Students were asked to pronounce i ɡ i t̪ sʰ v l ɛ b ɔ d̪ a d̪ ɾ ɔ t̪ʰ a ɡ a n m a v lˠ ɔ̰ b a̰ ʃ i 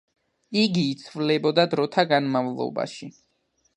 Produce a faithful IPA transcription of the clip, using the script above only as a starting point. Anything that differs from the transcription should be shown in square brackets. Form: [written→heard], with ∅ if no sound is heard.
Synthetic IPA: i ɡ [i→iː] t̪ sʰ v l ɛ b ɔ d̪ a d̪ ɾ ɔ t̪ʰ a ɡ a n m a v lˠ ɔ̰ b a̰ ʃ i

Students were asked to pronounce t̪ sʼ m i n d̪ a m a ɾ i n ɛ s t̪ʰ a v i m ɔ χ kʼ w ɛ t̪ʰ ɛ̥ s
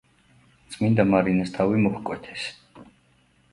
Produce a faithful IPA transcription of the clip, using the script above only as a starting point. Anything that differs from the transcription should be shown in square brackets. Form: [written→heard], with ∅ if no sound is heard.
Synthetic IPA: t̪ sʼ m i n d̪ a m a ɾ i n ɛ s t̪ʰ a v i m ɔ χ kʼ w ɛ t̪ʰ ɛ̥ s

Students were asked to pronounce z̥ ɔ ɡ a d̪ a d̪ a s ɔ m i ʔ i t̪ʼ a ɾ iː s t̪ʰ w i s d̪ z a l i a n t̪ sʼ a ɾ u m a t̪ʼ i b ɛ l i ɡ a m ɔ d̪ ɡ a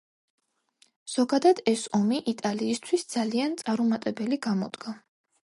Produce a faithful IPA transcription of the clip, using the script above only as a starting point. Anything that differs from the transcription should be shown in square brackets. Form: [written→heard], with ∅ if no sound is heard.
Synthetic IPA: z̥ ɔ ɡ a d̪ a d̪ [a→ɛ] s ɔ m i ʔ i t̪ʼ a [ɾ→l] iː s t̪ʰ w i s d̪ z a l i a n t̪ sʼ a ɾ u m a t̪ʼ [i→ɛ] b ɛ l i ɡ a m ɔ d̪ ɡ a

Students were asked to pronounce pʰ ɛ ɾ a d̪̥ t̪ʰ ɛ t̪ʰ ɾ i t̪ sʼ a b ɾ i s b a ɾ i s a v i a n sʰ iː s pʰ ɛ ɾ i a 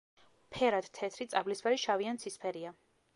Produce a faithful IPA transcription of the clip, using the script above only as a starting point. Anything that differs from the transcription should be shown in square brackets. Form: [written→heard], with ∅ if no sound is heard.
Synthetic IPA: pʰ ɛ ɾ a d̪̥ t̪ʰ ɛ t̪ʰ ɾ i t̪ sʼ a b [ɾ→l] i s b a ɾ i [s→ʃ] a v i a n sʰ [iː→i] s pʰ ɛ ɾ i a

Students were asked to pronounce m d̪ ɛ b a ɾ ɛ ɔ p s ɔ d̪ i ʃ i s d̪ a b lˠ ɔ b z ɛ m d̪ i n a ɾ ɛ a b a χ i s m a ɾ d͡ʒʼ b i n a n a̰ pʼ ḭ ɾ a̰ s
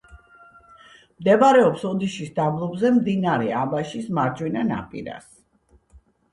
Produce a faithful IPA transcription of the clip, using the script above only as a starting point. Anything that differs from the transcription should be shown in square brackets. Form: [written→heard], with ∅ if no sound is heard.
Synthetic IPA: m d̪ ɛ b a ɾ ɛ ɔ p s ɔ d̪ i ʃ i s d̪ a b lˠ ɔ b z ɛ m d̪ i n a ɾ ɛ a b a [χ→ʃ] i s m a ɾ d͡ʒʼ [b→w] i n a n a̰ pʼ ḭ ɾ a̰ s

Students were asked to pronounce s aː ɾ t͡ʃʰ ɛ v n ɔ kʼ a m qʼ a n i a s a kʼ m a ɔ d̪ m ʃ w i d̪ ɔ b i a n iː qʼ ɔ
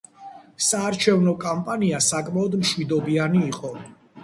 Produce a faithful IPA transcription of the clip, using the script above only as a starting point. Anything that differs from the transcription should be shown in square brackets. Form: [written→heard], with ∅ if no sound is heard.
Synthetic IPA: s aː ɾ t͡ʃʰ ɛ v n ɔ kʼ a m [qʼ→pʼ] a n i a s a kʼ m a ɔ d̪ m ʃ w i d̪ ɔ b i a n iː qʼ ɔ

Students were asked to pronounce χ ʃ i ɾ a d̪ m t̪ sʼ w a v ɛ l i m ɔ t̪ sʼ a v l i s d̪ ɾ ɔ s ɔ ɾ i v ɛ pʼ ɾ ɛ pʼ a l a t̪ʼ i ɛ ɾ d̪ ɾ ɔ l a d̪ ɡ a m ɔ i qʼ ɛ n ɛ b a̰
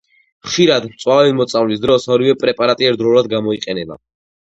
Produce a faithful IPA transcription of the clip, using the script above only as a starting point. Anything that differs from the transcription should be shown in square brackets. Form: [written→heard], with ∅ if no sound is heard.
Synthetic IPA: χ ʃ i ɾ a d̪ m t̪ sʼ w a v ɛ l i m ɔ t̪ sʼ a v l i s d̪ ɾ ɔ s ɔ ɾ i v ɛ pʼ ɾ ɛ pʼ a [l→ɾ] a t̪ʼ i ɛ ɾ d̪ ɾ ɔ l a d̪ ɡ a m ɔ i qʼ ɛ n ɛ b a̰

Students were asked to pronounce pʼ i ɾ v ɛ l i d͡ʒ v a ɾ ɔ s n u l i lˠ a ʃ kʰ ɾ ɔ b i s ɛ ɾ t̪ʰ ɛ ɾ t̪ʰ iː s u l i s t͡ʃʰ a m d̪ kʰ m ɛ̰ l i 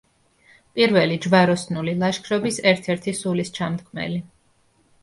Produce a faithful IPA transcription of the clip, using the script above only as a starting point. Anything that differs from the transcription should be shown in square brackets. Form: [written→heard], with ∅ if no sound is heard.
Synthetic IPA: pʼ i ɾ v ɛ l i d͡ʒ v a ɾ ɔ s n u l i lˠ a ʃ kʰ ɾ ɔ b i s ɛ ɾ t̪ʰ ɛ ɾ t̪ʰ [iː→i] s u l i s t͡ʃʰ a m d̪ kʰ m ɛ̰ l i

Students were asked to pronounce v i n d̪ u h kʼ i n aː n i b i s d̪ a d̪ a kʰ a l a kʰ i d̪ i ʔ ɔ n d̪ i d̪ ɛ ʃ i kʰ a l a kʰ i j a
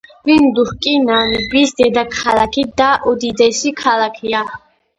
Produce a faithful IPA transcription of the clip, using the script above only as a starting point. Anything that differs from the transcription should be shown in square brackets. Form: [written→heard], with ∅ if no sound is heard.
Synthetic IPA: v i n d̪ u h kʼ i n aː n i b i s d̪ [a→ɛ] d̪ a kʰ a l a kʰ i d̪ [i→a] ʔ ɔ [n→∅] d̪ i d̪ ɛ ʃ i kʰ a l a kʰ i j a

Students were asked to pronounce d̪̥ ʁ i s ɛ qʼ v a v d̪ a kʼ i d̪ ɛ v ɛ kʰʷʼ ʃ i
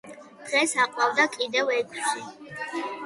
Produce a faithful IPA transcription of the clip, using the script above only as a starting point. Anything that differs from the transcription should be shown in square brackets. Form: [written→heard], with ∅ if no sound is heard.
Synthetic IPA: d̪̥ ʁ [i→ɛ] s [ɛ→a] qʼ [v→w] a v d̪ a kʼ i d̪ ɛ v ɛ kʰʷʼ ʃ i

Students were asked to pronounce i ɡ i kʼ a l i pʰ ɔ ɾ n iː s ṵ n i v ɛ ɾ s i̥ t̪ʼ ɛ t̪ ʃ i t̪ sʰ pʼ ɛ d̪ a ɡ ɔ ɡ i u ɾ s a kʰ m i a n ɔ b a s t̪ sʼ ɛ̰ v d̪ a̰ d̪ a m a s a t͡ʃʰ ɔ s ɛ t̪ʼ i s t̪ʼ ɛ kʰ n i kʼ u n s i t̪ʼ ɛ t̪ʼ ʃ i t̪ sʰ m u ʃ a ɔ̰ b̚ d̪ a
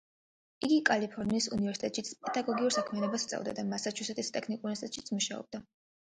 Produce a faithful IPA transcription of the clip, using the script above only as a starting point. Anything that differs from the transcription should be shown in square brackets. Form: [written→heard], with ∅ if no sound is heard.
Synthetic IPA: i ɡ i kʼ a l i pʰ ɔ ɾ n iː s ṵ n i v ɛ ɾ s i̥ t̪ʼ ɛ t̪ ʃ i t̪ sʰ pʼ ɛ d̪ a ɡ ɔ ɡ i u ɾ s a kʰ m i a n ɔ b a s t̪ sʼ ɛ̰ v d̪ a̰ d̪ a m a s a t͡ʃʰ [ɔ→u] s ɛ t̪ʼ i s t̪ʼ ɛ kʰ n i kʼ u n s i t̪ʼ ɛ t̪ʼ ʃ i t̪ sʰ m u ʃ a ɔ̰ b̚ d̪ a

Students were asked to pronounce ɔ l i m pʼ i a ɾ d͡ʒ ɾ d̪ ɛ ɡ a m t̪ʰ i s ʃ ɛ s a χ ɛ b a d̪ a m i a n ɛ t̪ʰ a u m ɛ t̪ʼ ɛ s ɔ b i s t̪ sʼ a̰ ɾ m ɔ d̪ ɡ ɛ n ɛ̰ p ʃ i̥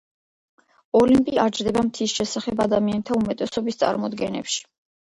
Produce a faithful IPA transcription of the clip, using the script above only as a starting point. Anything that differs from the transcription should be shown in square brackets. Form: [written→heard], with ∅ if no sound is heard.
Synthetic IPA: ɔ l i m pʼ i a ɾ d͡ʒ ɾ d̪ ɛ [ɡ→b] a m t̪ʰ i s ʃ ɛ s a χ ɛ b a d̪ a m i a n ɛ t̪ʰ a u m ɛ t̪ʼ ɛ s ɔ b i s t̪ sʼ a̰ ɾ m ɔ d̪ ɡ ɛ n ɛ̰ p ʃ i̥

